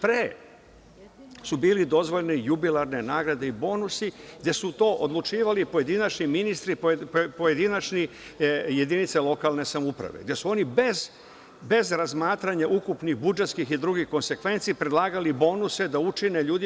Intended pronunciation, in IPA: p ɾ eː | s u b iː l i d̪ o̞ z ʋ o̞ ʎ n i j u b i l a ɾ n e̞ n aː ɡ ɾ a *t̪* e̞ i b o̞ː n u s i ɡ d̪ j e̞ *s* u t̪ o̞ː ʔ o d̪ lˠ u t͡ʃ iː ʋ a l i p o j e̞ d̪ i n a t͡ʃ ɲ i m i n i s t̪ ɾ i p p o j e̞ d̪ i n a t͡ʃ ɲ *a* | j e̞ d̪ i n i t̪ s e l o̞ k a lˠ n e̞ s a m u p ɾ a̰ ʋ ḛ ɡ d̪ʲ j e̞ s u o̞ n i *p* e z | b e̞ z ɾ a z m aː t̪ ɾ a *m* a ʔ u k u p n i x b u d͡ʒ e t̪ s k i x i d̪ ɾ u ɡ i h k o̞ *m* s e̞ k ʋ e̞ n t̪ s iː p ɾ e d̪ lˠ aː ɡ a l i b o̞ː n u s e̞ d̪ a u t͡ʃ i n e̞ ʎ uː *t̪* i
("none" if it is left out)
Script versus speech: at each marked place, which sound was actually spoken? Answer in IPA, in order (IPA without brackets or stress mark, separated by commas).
d̪, s, i, b, ɲ, n, d̪